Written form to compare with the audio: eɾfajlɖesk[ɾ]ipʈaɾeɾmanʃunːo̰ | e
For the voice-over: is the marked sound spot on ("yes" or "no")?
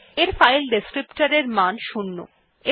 yes